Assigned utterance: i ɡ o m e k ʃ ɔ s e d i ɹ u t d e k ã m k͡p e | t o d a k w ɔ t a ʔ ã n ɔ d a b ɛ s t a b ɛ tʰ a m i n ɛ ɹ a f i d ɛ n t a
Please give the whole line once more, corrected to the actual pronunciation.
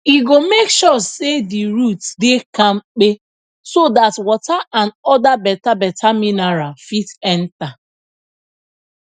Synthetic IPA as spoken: i ɡ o m e k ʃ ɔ s e d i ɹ u t d e k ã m k͡p e | s o d a t w ɔ t a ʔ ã n ɔ d a b ɛ t a b ɛ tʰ a m i n a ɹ a f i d ɛ n t a